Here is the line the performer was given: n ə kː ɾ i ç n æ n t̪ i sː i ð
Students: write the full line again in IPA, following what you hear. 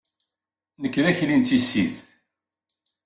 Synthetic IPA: n ə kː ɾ æ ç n i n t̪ i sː i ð